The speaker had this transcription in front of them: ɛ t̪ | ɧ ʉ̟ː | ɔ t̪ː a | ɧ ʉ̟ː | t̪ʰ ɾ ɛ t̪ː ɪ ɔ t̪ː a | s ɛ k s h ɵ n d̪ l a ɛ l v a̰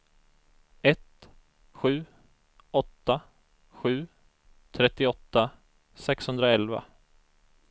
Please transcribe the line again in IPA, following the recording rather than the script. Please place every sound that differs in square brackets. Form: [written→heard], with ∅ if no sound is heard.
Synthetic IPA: ɛ t̪ | ɧ ʉ̟ː | ɔ t̪ː a | ɧ ʉ̟ː | t̪ʰ ɾ ɛ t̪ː ɪ ɔ t̪ː a | s ɛ k s h ɵ n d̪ [l→ɾ] a ɛ l v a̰